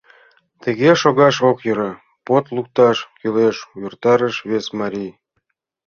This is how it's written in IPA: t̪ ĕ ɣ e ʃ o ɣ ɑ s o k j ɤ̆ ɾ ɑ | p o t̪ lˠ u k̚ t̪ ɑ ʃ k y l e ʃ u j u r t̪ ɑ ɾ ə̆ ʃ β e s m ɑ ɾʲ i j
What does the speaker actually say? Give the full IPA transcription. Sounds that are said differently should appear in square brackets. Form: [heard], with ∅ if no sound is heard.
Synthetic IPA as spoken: t̪ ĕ ɣ e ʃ o ɣ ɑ [ʃ] o k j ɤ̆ ɾ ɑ | p o t̪ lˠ u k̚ t̪ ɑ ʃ k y l e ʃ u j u r t̪ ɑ ɾ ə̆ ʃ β e s m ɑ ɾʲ i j

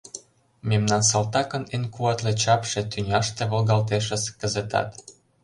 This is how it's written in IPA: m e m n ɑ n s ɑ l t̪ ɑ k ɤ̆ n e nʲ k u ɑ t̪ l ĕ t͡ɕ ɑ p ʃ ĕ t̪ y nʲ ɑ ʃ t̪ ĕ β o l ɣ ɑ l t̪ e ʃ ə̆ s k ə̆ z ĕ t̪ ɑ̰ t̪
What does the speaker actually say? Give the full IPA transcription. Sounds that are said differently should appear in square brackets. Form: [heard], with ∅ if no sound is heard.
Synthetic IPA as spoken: m e m n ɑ n s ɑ l t̪ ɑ k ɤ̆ n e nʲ k u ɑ t̪ l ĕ t͡ɕ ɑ p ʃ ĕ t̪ y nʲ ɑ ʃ t̪ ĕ β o l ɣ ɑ l t̪ e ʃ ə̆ s k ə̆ z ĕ t̪ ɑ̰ t̪

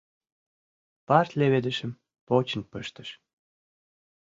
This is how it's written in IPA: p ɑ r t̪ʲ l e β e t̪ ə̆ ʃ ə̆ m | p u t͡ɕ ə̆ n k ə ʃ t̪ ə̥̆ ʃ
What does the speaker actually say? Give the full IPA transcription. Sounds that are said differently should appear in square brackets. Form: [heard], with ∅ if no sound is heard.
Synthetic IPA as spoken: p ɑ r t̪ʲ l e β e [d̪] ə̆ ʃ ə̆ m | p [o] t͡ɕ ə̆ n [p] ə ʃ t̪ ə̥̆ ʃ

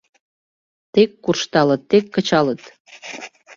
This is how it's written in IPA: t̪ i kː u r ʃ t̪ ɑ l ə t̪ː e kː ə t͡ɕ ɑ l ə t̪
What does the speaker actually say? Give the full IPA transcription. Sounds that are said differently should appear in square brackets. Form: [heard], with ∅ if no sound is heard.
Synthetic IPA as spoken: t̪ [e] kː u r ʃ t̪ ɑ l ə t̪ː e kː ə t͡ɕ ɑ l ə t̪

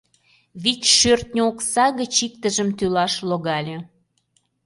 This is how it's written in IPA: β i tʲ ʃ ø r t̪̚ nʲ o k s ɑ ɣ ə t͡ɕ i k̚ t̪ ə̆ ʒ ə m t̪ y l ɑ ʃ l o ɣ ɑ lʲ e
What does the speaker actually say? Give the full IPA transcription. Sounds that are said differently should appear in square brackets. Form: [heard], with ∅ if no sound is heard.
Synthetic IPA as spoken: β i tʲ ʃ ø r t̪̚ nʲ o k s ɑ ɣ ə t͡ɕ i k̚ t̪ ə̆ ʒ ə m t̪ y l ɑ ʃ l o ɣ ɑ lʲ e

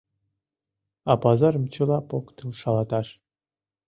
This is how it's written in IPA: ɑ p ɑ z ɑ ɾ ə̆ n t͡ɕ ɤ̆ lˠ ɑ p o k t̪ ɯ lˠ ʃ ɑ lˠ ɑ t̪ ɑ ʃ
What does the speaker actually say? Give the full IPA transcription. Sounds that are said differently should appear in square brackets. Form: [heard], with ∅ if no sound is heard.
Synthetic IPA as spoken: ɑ p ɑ z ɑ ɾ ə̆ [m] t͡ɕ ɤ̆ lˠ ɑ p o k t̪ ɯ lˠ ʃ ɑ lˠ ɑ t̪ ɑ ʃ

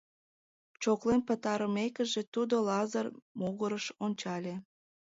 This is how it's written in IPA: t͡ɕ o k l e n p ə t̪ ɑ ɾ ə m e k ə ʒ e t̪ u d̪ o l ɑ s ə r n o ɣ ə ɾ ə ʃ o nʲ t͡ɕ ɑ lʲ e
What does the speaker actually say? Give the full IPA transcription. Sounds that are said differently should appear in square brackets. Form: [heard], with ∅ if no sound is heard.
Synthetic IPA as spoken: t͡ɕ o k l e n p ə t̪ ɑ ɾ ə m e k ə ʒ e t̪ u d̪ o l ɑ [z] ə r [m] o ɣ ə ɾ ə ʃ o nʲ t͡ɕ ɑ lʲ e

